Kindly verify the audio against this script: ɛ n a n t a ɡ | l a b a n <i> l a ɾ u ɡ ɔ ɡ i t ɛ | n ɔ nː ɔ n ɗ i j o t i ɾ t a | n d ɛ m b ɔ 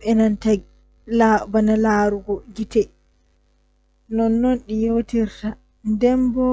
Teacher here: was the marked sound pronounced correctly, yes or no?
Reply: no